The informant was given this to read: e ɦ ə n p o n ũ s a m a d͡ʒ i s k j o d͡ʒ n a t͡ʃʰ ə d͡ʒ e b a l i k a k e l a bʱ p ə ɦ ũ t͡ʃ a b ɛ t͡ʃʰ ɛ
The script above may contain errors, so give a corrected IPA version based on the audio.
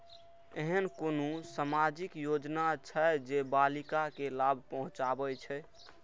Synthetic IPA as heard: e ɦ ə n k o n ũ s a m a d͡ʒ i k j o d͡ʒ n a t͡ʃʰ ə d͡ʒ e b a l i k a k e l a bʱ p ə ɦ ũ t͡ʃ a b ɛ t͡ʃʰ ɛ